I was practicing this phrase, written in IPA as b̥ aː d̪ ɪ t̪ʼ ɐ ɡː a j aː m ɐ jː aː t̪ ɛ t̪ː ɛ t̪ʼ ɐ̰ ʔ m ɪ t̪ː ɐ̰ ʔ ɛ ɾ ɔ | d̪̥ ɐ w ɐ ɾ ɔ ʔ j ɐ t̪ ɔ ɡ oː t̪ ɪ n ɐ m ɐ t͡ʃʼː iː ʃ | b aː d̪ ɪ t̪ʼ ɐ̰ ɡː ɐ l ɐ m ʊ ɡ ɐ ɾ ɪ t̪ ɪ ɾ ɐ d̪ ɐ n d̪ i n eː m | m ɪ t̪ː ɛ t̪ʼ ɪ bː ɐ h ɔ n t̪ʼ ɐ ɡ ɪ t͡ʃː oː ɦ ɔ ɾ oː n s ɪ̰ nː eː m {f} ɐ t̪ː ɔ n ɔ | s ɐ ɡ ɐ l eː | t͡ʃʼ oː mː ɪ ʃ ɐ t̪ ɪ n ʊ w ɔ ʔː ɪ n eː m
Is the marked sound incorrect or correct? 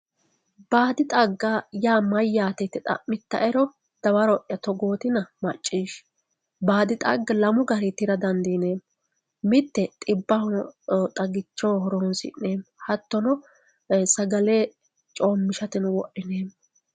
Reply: incorrect